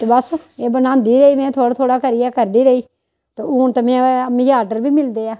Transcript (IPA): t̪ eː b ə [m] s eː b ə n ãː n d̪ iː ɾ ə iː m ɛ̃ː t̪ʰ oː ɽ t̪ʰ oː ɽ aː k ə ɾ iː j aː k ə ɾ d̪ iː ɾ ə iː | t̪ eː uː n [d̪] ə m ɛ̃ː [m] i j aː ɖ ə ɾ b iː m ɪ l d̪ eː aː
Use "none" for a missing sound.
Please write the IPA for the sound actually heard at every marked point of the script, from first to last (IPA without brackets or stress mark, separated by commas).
none, t̪, m